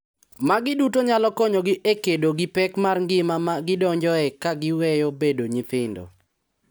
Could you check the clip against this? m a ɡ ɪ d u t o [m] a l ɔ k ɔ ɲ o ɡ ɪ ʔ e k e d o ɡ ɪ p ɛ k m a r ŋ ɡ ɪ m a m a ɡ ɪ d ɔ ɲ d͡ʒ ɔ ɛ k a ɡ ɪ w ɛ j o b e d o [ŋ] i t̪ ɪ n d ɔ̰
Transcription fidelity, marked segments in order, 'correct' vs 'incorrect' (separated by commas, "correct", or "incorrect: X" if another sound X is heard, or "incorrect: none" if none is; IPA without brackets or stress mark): incorrect: ɲ, incorrect: ɲ